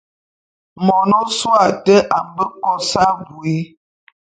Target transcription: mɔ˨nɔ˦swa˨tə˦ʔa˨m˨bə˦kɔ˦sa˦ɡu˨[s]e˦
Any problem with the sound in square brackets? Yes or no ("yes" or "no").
yes